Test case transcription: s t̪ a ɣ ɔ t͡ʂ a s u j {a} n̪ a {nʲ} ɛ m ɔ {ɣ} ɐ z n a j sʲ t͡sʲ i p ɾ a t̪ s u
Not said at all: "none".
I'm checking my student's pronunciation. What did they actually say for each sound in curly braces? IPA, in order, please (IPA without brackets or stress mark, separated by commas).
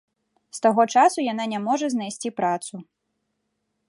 a, nʲ, ʐ